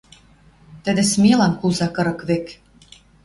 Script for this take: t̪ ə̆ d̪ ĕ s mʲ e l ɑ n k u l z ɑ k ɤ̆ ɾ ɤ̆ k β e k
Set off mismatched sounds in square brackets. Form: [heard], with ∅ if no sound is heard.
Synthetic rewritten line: t̪ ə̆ d̪ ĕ s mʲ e l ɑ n k u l z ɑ k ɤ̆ ɾ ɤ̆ k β e k